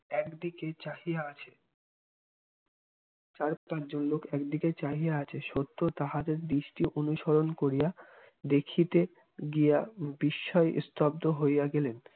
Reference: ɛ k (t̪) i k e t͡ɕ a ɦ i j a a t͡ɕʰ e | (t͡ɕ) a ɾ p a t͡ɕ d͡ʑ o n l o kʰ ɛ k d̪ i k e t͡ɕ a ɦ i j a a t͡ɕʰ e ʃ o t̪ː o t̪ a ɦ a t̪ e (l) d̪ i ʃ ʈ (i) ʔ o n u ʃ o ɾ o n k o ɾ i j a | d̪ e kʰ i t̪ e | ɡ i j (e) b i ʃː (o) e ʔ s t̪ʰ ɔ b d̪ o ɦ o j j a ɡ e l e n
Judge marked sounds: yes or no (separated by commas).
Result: no, yes, no, yes, no, no